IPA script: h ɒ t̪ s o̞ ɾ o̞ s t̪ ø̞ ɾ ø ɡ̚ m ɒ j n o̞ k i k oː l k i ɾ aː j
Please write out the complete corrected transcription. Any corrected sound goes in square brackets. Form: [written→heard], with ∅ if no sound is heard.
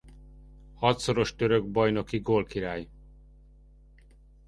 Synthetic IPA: h ɒ t̪ s o̞ ɾ o̞ [s→ʃ] t̪ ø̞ ɾ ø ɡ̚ [m→b] ɒ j n o̞ k i [k→ɡ] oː l k i ɾ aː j